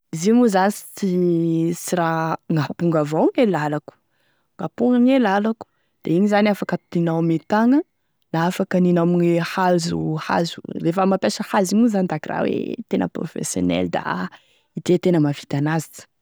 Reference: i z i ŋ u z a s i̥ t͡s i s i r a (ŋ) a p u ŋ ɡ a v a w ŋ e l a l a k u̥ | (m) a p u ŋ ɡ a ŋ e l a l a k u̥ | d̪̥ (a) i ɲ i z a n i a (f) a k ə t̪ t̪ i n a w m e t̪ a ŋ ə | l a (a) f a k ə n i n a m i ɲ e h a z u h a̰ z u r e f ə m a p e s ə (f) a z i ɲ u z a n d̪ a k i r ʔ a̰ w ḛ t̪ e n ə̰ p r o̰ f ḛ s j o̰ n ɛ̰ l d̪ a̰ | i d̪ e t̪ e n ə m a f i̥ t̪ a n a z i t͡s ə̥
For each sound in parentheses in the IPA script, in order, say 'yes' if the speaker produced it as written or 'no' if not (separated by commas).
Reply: yes, no, no, yes, yes, no